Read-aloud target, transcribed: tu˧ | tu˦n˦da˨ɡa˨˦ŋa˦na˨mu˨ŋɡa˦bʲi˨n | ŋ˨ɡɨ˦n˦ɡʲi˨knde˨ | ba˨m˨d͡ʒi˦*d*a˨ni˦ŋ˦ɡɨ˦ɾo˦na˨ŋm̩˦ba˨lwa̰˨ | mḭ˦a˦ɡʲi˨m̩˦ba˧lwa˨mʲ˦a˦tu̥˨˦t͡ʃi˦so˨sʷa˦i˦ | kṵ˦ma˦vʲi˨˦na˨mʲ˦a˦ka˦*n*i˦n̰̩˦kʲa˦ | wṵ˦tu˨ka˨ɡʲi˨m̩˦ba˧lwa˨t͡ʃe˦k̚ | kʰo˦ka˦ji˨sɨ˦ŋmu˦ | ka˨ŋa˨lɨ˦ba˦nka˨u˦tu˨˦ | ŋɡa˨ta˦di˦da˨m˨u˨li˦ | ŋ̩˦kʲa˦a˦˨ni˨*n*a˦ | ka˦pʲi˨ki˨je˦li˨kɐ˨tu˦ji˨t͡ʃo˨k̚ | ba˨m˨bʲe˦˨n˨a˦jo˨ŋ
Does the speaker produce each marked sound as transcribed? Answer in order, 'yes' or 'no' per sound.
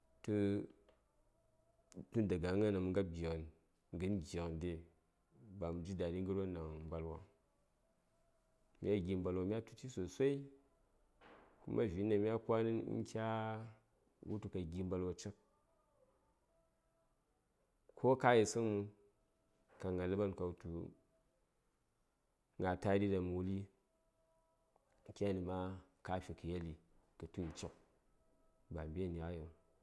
yes, yes, no

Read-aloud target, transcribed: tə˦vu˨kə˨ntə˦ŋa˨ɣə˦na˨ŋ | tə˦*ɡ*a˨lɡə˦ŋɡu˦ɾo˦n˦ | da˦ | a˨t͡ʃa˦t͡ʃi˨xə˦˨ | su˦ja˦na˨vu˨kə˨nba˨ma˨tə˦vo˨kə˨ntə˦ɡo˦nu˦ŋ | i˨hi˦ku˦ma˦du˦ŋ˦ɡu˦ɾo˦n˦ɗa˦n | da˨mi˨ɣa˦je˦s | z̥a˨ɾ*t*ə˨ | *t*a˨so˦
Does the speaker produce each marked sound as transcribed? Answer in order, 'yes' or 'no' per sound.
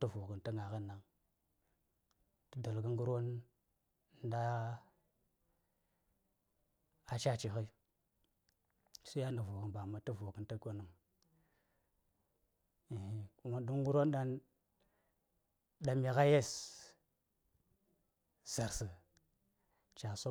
no, no, no

